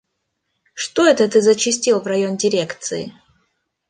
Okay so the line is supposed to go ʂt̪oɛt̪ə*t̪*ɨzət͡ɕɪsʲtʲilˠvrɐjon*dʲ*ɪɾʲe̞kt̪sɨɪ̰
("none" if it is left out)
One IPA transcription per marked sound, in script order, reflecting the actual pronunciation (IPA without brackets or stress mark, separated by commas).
t̪, dʲ